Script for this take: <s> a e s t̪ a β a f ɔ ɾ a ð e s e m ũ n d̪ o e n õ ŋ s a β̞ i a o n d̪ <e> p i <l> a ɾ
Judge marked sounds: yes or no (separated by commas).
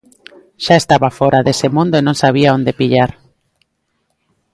no, yes, no